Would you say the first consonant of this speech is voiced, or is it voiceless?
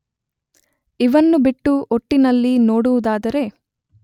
voiced